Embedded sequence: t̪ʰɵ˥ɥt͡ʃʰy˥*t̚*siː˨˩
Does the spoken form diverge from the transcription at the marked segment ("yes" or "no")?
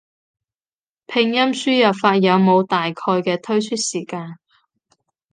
no